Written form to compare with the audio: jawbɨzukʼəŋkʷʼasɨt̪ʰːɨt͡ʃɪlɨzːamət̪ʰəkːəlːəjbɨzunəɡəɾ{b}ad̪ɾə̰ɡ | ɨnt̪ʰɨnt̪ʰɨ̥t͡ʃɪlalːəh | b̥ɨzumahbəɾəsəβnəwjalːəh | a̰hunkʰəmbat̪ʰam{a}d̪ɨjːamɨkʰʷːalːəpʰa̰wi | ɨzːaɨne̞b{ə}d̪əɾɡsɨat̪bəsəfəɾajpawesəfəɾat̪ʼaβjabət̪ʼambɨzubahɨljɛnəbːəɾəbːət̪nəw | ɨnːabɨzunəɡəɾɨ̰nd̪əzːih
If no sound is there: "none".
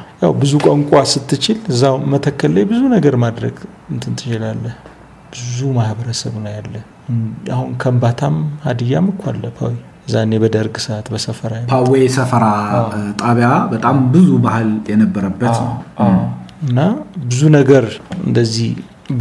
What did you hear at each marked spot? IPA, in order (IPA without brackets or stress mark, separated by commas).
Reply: m, a, ə